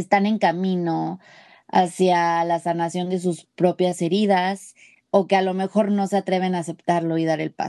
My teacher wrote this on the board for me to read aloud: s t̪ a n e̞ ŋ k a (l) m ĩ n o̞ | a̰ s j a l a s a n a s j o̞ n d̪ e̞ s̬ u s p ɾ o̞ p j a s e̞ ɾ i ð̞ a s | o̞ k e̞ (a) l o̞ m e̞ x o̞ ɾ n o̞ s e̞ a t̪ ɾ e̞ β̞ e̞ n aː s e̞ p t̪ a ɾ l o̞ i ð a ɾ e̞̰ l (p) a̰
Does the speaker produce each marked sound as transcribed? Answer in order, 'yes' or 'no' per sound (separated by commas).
no, yes, yes